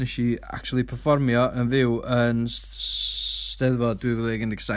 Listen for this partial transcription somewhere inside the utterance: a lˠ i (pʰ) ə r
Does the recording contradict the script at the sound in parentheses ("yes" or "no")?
no